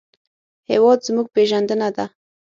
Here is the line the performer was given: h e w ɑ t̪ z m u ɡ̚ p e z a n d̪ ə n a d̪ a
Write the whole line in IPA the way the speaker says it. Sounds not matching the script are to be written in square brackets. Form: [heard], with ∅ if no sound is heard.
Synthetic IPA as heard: h e w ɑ [d̪] z m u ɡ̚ p e [ʒ] a n d̪ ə n a d̪ a